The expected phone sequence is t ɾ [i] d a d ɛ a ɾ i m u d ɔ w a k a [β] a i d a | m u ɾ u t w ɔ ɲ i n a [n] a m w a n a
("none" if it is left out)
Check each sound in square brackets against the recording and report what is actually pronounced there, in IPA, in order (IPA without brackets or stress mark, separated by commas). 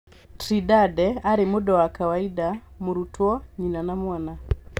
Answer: i, w, n